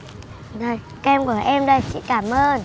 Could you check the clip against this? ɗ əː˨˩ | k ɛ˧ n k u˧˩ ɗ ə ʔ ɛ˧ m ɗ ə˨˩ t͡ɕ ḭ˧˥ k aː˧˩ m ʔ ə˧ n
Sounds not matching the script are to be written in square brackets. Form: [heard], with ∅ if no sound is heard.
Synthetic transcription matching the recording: ɗ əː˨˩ | k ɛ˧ [m] k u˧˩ [∅] ə ʔ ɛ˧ m ɗ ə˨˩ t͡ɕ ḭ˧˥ k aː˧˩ m ʔ [əː˧] n